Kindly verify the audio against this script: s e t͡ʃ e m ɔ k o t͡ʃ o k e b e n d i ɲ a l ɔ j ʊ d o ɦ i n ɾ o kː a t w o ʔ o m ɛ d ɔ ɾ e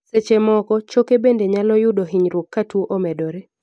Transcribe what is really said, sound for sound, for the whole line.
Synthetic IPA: s e t͡ʃ e m ɔ k ɔ t͡ʃ o k e b e n d e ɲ a l ɔ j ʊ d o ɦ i ɲ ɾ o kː a t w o ʔ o m ɛ d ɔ ɾ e